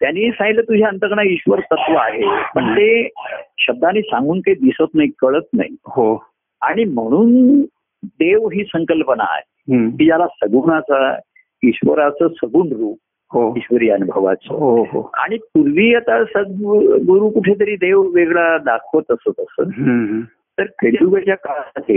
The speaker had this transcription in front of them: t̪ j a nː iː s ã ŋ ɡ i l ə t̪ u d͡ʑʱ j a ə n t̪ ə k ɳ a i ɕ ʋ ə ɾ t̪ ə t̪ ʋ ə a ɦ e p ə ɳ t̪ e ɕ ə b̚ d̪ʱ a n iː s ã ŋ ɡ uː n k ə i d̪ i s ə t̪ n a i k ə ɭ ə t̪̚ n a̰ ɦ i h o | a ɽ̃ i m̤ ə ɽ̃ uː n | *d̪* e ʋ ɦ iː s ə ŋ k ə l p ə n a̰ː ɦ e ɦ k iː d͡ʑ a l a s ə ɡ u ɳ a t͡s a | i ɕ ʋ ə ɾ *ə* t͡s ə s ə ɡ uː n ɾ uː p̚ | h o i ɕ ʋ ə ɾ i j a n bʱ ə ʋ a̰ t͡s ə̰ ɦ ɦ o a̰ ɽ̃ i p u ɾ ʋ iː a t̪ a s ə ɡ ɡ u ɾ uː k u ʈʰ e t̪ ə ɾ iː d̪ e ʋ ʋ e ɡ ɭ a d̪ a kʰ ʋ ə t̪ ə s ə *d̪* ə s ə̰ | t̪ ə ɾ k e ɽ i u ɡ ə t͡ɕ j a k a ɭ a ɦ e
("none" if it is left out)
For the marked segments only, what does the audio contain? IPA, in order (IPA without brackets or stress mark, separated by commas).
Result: d̪, a, t̪